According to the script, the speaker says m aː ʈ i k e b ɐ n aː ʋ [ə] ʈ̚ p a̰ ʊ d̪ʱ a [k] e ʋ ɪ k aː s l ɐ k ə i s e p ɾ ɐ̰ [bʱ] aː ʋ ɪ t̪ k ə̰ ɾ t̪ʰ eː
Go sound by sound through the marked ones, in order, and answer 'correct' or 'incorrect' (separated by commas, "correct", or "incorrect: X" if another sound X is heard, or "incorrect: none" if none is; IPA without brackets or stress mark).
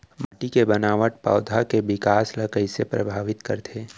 correct, correct, correct